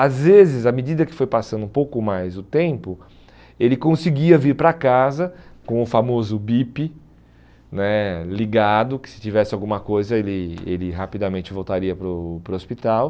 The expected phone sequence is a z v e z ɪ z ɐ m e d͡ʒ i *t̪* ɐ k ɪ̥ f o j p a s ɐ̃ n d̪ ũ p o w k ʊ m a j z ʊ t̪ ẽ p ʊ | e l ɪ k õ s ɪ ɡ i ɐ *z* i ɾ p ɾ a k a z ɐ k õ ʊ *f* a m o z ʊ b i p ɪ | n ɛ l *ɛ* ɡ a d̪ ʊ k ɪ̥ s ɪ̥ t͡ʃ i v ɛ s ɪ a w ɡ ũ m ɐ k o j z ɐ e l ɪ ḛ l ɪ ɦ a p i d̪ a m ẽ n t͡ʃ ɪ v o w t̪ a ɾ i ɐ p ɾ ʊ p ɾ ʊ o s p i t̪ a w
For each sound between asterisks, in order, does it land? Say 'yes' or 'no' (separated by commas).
no, no, yes, no